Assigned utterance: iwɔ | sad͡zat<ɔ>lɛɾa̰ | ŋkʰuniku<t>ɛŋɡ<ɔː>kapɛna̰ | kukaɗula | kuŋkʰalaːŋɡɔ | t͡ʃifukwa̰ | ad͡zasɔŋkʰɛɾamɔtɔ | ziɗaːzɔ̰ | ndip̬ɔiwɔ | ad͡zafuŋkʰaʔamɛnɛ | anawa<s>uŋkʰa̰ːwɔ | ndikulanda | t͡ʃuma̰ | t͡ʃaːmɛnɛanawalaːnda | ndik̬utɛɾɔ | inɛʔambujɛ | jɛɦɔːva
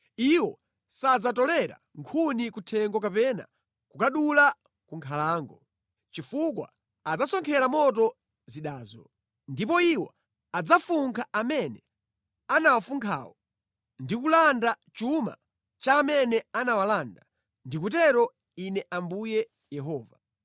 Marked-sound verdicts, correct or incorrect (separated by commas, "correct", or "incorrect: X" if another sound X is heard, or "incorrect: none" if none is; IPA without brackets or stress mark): correct, incorrect: tʰ, incorrect: ɔ, incorrect: f